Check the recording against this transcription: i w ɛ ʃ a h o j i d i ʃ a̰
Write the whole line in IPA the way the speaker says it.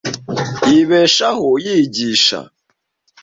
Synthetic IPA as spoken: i β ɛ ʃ a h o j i ɟ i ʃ a̰